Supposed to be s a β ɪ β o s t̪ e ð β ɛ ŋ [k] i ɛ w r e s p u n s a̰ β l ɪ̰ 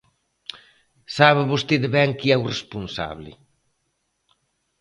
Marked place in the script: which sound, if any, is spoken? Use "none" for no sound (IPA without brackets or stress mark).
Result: k